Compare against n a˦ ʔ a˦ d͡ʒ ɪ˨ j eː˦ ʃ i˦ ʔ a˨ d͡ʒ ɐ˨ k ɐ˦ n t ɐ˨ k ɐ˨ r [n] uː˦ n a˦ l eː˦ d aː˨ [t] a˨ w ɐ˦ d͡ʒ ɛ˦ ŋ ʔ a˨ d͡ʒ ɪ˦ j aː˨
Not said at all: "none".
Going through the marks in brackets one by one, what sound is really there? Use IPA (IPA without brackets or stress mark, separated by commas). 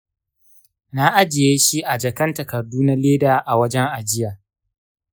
d, ʔ